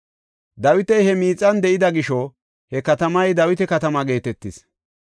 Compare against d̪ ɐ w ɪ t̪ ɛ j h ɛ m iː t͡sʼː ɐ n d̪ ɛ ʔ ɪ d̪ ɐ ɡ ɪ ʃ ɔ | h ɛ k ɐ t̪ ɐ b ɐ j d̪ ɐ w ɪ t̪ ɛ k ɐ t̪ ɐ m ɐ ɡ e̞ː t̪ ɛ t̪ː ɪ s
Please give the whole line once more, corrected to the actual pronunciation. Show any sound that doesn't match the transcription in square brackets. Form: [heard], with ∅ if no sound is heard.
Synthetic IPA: d̪ ɐ w ɪ t̪ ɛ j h ɛ m iː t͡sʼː ɐ n d̪ ɛ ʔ ɪ d̪ ɐ ɡ ɪ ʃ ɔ | h ɛ k ɐ t̪ ɐ [m] ɐ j d̪ ɐ w ɪ t̪ ɛ k ɐ t̪ ɐ m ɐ ɡ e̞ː t̪ ɛ t̪ː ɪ s